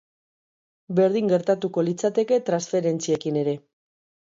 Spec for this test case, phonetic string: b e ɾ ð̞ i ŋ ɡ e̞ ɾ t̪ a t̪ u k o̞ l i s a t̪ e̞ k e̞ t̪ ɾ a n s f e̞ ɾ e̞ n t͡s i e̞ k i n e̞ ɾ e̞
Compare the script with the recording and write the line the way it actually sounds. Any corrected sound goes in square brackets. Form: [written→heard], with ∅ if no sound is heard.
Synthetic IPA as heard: b e ɾ ð̞ i ŋ ɡ e̞ ɾ t̪ a t̪ u k o̞ l i [s→t͡s] a t̪ e̞ k e̞ t̪ ɾ a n s f e̞ ɾ e̞ n t͡s i e̞ k i n e̞ ɾ e̞